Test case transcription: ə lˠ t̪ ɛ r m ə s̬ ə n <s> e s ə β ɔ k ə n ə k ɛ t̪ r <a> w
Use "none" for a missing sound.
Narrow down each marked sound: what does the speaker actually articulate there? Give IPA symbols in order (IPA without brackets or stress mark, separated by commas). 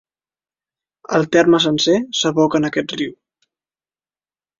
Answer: s, i